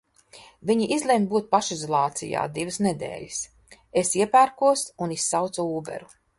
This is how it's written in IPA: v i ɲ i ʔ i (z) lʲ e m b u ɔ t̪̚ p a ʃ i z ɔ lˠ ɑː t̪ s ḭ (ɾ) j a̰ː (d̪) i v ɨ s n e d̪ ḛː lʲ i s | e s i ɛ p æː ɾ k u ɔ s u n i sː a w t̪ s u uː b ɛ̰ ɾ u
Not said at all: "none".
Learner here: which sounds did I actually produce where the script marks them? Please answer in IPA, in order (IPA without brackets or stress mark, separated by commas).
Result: z, none, d̪